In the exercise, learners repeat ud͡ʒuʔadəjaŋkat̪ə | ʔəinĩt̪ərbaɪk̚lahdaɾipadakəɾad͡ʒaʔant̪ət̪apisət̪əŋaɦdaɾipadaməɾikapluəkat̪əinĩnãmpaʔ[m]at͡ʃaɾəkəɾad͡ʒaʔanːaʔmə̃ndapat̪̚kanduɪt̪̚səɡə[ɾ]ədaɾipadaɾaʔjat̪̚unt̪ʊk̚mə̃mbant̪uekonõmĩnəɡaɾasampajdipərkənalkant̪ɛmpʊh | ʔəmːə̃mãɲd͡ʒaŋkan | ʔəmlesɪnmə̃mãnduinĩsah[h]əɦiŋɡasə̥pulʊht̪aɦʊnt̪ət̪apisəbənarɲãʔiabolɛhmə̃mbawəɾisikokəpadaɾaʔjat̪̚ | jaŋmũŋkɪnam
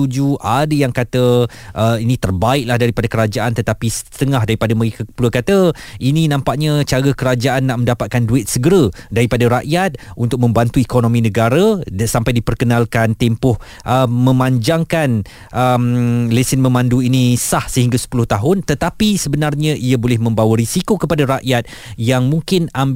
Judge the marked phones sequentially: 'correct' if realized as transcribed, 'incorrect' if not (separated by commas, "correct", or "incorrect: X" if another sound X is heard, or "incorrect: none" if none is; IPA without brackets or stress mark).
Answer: incorrect: ɲ, correct, incorrect: s